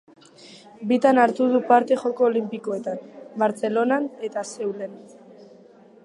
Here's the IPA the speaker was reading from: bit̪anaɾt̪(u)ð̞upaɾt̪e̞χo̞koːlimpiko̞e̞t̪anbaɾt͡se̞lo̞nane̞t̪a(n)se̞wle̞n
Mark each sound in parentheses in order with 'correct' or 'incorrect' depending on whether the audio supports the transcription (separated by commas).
correct, incorrect